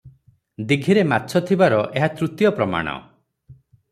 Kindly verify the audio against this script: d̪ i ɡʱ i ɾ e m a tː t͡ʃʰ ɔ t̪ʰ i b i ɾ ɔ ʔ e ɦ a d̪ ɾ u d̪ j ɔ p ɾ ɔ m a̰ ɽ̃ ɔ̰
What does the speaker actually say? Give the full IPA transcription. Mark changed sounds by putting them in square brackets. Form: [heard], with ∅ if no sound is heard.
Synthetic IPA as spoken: d̪ i ɡʱ i ɾ e m a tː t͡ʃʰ ɔ t̪ʰ i b [a] ɾ ɔ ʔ e ɦ a [t̪] ɾ u [t̪] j ɔ p ɾ ɔ m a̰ ɽ̃ ɔ̰

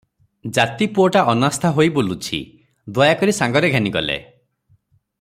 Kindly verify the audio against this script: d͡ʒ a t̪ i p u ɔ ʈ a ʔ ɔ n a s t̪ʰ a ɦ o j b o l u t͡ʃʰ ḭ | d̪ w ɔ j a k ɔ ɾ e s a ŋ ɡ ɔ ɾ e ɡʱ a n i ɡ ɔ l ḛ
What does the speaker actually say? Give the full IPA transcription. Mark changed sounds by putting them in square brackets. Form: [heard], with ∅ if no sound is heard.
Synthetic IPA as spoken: d͡ʒ a t̪ i p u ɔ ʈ a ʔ ɔ n a s t̪ʰ a ɦ o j b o l u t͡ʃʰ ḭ | d̪ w ɔ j a k ɔ ɾ [i] s a ŋ ɡ ɔ ɾ e ɡʱ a n i ɡ ɔ l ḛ

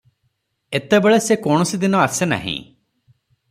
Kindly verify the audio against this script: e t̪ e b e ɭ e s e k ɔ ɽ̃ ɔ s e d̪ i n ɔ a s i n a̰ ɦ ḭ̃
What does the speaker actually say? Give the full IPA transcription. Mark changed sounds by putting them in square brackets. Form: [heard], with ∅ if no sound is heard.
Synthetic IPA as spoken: e t̪ e b e ɭ e s e k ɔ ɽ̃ ɔ s [i] d̪ i n ɔ a s [e] n a̰ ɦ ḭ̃

